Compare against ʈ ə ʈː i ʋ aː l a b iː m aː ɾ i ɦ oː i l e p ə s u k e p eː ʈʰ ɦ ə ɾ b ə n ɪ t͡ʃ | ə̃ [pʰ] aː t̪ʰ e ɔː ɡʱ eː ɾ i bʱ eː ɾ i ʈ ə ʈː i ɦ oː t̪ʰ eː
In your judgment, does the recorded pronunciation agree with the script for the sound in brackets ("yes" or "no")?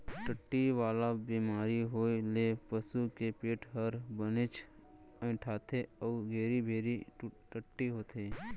no